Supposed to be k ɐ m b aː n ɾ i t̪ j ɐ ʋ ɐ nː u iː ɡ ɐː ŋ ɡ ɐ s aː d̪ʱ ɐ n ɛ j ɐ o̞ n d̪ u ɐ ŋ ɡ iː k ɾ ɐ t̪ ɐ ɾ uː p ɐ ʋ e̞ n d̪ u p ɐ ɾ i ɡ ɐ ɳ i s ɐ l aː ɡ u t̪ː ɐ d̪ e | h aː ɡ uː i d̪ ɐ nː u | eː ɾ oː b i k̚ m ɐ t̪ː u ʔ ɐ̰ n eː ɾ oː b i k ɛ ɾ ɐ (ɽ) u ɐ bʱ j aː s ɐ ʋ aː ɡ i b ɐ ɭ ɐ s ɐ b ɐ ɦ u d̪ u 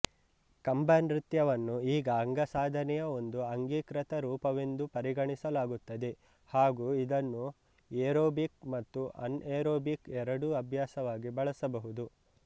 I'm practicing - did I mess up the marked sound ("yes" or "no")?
no